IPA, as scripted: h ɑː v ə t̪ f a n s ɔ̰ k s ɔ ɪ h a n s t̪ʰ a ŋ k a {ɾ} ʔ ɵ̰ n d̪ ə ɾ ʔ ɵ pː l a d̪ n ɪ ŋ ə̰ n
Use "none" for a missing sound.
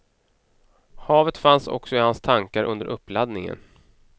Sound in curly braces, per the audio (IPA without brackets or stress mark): ɾ